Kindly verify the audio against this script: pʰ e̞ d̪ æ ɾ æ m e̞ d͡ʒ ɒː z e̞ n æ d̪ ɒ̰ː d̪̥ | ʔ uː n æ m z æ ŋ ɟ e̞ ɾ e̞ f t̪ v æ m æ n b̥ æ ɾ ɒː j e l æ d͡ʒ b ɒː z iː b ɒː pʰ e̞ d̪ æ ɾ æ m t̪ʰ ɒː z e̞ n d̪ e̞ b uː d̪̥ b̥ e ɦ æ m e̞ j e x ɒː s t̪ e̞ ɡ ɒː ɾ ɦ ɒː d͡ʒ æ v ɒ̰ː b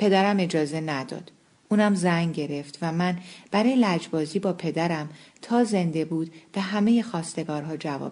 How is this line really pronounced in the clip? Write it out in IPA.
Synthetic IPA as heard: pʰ e̞ d̪ æ ɾ æ m e̞ d͡ʒ ɒː z e̞ n æ d̪ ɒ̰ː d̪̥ | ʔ uː n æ m z æ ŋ ɟ e̞ ɾ e̞ f t̪ v æ m æ n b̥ æ ɾ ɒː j e l æ d͡ʒ b ɒː z iː b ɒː pʰ e̞ d̪ æ ɾ æ m t̪ʰ ɒː z e̞ n d̪ e̞ b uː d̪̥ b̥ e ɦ æ m e̞ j e x ɒː s t̪ e̞ ɡ ɒː ɾ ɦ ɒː d͡ʒ æ v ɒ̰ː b